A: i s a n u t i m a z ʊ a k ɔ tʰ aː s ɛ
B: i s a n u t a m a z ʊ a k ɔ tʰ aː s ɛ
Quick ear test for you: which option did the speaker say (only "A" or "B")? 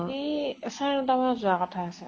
B